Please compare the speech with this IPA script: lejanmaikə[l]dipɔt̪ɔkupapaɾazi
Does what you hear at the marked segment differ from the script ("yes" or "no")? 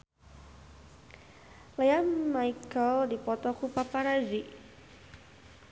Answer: no